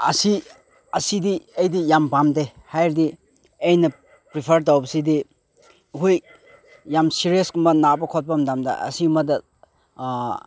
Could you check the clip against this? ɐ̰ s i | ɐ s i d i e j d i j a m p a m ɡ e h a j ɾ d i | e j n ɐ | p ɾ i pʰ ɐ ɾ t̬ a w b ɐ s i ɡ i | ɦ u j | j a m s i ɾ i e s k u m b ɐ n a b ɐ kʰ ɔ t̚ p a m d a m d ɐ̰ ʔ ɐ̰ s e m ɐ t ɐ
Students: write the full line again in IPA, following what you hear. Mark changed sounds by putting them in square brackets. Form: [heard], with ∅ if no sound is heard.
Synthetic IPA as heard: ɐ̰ s i | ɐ s i d i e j d i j a m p a m [d] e h a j ɾ d i | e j n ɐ | p ɾ i pʰ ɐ ɾ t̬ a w b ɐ s i [d] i | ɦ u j | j a m s i ɾ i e s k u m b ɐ n a b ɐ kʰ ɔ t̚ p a m d a m d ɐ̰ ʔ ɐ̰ s [i] m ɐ [d] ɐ